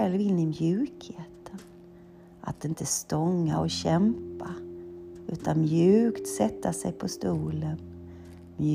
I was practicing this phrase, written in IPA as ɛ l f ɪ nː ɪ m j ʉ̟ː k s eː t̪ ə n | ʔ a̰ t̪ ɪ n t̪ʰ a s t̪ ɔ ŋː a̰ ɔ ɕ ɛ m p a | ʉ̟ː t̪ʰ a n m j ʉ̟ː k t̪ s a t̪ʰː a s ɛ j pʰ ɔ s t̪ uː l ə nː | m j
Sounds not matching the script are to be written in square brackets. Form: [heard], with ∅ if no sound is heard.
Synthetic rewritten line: ɛ l [v] ɪ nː ɪ m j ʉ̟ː k [h] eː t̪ ə n | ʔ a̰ t̪ ɪ n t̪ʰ [ə] s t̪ ɔ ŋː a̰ ɔ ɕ ɛ m p a | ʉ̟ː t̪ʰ a n m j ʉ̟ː k t̪ s [ɛ] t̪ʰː a s ɛ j pʰ ɔ s t̪ uː l ə [n] | m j